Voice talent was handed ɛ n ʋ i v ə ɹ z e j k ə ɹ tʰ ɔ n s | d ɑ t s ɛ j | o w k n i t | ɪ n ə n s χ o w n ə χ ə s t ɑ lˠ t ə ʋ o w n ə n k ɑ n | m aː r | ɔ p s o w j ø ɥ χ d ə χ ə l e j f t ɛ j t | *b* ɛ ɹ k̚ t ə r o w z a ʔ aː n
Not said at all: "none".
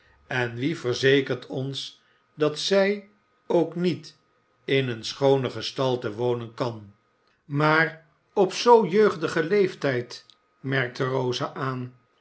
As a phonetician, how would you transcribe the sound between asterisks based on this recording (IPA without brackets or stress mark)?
m